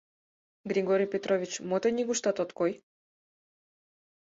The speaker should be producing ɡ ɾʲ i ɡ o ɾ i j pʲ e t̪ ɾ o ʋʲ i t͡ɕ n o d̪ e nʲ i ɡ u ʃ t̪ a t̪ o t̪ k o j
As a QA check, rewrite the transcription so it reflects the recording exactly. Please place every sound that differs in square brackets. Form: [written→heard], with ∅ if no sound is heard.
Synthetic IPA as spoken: ɡ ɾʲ i ɡ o ɾ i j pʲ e t̪ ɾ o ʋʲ i t͡ɕ [n→m] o [d̪→t̪] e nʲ i ɡ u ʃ t̪ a t̪ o t̪ k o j